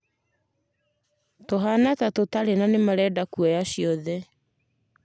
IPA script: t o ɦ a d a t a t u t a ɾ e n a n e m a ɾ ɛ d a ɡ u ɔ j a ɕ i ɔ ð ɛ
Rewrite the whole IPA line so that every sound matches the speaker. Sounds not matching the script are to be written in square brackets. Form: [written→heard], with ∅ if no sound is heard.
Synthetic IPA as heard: t o ɦ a [d→n] a t a t [u→o] t a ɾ e n a n e m a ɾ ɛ d a [ɡ→k] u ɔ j a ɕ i ɔ ð ɛ

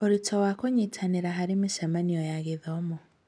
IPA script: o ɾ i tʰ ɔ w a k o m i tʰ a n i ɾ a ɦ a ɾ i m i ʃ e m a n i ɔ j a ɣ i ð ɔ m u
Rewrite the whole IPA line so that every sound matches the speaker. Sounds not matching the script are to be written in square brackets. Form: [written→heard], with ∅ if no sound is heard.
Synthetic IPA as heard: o ɾ i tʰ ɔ w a k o [m→ɲ] i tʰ a n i ɾ a ɦ a ɾ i m i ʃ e m a n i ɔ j a ɣ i ð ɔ m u

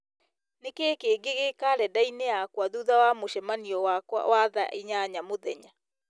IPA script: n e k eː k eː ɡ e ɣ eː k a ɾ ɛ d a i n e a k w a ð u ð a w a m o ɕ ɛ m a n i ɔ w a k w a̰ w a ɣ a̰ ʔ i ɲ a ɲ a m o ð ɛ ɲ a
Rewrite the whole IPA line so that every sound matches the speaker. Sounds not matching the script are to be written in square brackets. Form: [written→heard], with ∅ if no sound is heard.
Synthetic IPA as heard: n e k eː k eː ɡ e ɣ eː k a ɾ ɛ d a i n e a k w a ð u ð a w a m o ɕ ɛ m a n i ɔ w a k w a̰ w a [ɣ→ð] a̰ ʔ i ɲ a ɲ a m o ð ɛ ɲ a

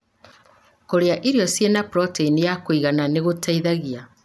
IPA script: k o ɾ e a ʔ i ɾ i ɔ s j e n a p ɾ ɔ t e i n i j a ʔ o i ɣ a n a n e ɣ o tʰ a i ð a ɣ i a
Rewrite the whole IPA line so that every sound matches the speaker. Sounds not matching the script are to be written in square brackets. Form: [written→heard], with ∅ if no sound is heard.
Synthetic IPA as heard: k o ɾ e a ʔ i ɾ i ɔ s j e n a p ɾ ɔ t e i n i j a [ʔ→k] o i ɣ a n a n e ɣ o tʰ a i ð a ɣ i a

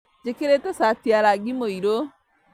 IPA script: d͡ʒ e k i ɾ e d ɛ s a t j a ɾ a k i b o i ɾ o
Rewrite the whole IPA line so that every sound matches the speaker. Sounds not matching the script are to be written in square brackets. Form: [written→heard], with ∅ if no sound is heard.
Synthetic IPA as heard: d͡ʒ e k [i→e] ɾ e [d→t] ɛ s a t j a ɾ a [k→ɡ] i [b→m] o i ɾ o

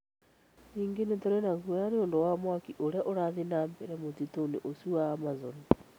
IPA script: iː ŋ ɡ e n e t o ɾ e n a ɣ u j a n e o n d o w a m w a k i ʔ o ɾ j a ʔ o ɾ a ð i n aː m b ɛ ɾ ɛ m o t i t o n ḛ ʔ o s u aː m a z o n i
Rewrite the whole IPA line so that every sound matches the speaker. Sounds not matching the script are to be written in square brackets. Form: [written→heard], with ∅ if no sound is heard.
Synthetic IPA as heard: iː ŋ ɡ e n e t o ɾ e n a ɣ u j a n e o n d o w a m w a k i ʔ o ɾ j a ʔ o ɾ a ð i n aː m b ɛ ɾ ɛ m o t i t o n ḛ ʔ o s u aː m a z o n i

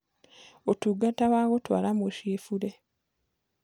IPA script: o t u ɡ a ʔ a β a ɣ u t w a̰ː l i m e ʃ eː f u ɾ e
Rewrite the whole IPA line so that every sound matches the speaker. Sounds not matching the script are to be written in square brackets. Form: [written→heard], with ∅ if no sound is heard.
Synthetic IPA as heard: o t u ɡ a [ʔ→t] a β a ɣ [u→o] t w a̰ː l [i→a] m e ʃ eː f u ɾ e

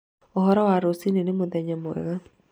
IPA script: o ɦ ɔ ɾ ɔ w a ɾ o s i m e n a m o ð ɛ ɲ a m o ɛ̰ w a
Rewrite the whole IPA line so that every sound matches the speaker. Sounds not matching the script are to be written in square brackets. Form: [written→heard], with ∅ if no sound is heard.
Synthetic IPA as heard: o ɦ ɔ ɾ ɔ w a ɾ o s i [m→n] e n [a→e] m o ð ɛ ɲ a m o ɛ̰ [w→ɣ] a

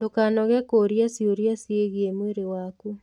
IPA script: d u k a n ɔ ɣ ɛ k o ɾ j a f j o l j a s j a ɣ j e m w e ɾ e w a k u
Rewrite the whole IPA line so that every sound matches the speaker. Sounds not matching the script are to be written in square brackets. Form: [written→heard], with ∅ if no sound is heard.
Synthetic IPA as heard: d [u→o] k a n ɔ ɣ ɛ k o ɾ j a [f→s] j o [l→ɾ] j a s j [a→e] ɣ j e m w e ɾ e w a k u

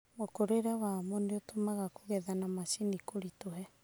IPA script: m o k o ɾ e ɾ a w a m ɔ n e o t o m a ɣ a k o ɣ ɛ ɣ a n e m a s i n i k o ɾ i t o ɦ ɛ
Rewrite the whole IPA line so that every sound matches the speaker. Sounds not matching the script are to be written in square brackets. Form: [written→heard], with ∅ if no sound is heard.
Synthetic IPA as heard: m o k o ɾ e ɾ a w a m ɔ n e o t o m a ɣ a k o ɣ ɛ [ɣ→ð] a n [e→a] m a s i n i k o ɾ i t o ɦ ɛ

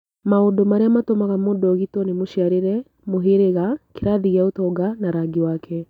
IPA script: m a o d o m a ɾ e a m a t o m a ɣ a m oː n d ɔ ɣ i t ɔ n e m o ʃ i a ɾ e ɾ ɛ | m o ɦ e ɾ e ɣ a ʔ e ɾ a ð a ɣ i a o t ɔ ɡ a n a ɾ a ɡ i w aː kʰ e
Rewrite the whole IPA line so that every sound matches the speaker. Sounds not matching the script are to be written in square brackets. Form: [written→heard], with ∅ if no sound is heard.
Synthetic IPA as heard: m a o d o m a ɾ e a m a t o m a ɣ a m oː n d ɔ ɣ i t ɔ n e m o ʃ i a ɾ e ɾ ɛ | m o ɦ e ɾ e ɣ a [ʔ→k] e ɾ a ð [a→i] ɣ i a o t ɔ ɡ a n a ɾ a ɡ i w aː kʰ [e→ɛ]

